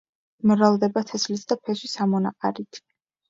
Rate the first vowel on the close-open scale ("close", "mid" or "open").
open